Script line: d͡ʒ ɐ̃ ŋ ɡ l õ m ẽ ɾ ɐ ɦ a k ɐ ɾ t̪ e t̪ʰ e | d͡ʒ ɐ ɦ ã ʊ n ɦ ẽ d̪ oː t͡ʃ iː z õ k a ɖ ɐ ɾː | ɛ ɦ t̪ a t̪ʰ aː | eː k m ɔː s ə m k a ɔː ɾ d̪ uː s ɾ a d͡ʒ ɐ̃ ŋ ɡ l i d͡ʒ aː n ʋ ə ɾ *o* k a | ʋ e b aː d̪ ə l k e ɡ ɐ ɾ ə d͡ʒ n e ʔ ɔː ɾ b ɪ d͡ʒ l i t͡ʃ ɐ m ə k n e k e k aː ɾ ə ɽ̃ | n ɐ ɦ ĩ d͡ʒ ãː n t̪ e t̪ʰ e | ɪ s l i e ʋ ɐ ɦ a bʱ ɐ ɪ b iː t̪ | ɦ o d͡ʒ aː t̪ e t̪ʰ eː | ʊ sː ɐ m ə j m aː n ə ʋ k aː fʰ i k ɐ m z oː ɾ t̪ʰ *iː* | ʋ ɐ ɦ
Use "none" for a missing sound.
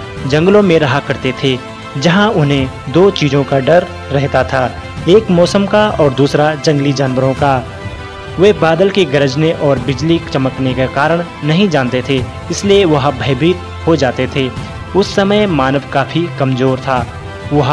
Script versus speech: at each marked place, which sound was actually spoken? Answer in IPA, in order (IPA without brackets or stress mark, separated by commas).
õ, aː